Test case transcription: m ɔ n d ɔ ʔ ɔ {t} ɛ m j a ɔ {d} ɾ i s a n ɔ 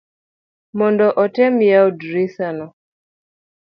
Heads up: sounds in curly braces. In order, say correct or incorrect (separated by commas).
correct, correct